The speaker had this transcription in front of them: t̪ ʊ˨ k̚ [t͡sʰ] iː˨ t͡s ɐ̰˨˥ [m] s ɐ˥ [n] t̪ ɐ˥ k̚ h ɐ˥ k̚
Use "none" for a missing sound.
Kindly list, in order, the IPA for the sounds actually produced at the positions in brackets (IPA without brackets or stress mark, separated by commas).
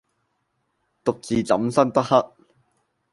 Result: t͡s, m, n